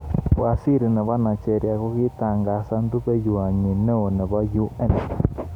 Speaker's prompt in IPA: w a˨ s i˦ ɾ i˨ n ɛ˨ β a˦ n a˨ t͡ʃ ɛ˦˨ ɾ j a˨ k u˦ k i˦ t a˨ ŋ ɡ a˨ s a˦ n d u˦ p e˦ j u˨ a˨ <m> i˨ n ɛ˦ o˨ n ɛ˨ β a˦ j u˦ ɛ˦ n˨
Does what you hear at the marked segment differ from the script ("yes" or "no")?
yes